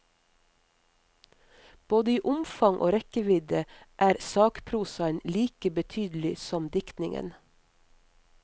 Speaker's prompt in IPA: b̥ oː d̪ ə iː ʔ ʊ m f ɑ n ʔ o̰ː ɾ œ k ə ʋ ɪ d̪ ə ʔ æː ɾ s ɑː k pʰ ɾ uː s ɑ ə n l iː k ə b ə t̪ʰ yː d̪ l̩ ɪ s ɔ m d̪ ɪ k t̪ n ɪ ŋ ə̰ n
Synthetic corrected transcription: b̥ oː d̪ ə iː ʔ ʊ m f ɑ ŋ ʔ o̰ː ɾ ɛ k ə ʋ ɪ d̪ ə ʔ æː ɾ s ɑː k pʰ ɾ uː s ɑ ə n l iː k ə b ə t̪ʰ yː d̪ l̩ ɪ s ɔ m d̪ ɪ k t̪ n ɪ ŋ ə̰ n